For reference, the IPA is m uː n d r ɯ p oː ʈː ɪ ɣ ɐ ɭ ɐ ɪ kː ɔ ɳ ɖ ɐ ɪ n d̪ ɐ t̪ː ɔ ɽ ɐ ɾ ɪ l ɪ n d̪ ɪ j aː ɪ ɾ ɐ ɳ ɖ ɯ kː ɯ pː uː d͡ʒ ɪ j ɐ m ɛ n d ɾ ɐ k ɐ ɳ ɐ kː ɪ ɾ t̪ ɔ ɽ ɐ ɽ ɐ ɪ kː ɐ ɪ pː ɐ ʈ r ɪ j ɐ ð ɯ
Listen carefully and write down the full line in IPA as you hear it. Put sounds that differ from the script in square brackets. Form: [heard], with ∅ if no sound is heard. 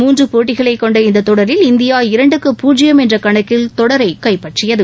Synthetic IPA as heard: m uː n d r ɯ p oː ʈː ɪ ɣ ɐ ɭ ɐ ɪ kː ɔ ɳ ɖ ɐ ɪ n d̪ ɐ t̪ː ɔ ɽ ɐ ɾ ɪ l ɪ n d̪ ɪ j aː ɪ ɾ ɐ ɳ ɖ ɯ kː ɯ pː uː d͡ʒ ɪ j ɐ m ɛ n d [r] ɐ k ɐ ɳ ɐ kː ɪ [l] t̪ ɔ ɽ ɐ [ɾ] ɐ ɪ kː ɐ ɪ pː ɐ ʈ r ɪ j ɐ ð ɯ